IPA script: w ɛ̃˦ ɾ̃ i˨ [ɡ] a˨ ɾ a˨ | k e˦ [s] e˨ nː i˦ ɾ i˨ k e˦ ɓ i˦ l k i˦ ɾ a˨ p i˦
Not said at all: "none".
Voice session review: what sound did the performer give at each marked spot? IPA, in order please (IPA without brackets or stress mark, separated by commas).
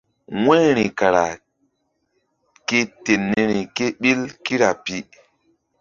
k, t